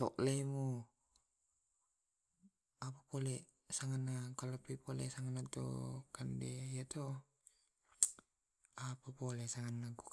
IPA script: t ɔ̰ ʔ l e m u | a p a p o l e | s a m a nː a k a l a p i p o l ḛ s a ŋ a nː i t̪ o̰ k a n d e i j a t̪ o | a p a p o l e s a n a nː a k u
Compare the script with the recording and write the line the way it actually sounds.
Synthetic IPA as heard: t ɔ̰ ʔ l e m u | a p a p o l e | s a ŋ a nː a k a l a p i p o l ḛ s a ŋ a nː a t̪ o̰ k a n d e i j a t̪ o | a p a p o l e s a ŋ a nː a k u